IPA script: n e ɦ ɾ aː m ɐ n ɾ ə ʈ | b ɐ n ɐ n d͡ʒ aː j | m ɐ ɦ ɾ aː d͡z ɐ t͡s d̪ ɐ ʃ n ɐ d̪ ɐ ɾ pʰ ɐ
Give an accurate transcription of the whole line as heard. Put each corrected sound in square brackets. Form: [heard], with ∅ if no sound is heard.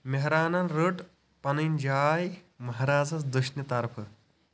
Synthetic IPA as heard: [m] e ɦ ɾ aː [n] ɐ n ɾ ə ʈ | [p] ɐ n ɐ n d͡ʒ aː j | m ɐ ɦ ɾ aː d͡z ɐ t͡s d̪ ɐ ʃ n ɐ [t̪] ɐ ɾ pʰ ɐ